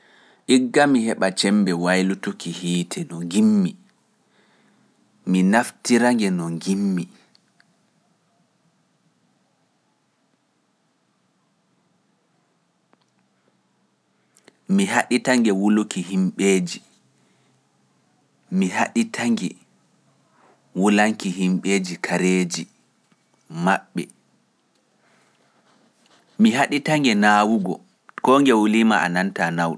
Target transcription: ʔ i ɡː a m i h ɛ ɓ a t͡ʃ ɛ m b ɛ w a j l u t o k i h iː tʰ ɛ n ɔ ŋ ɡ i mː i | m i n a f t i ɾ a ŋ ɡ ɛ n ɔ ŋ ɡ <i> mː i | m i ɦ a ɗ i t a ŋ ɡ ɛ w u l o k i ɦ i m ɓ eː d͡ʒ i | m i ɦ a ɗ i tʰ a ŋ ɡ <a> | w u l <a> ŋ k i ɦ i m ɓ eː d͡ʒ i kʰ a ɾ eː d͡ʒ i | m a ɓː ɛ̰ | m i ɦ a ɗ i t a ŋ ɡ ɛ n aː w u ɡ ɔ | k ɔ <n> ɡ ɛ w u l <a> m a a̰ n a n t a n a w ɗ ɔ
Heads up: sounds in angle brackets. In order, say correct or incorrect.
correct, incorrect, correct, incorrect, incorrect

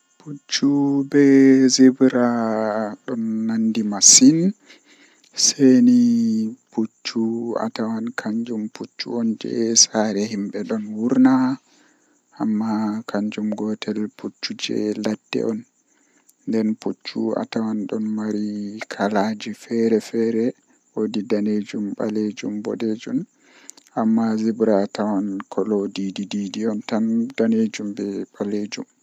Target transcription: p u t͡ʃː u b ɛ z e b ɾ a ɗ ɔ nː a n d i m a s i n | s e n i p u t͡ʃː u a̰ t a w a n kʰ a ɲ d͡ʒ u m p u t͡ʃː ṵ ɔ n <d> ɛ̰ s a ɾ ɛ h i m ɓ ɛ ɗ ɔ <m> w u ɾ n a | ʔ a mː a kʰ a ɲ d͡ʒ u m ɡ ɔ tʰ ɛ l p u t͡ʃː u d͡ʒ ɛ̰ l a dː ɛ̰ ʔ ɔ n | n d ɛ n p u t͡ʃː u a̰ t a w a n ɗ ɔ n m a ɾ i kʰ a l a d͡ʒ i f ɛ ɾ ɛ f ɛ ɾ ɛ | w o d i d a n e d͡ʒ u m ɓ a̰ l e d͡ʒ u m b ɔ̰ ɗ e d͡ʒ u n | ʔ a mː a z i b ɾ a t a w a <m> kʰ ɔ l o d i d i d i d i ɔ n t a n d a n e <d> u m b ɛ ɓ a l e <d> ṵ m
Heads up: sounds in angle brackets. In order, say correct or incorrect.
incorrect, incorrect, incorrect, incorrect, incorrect

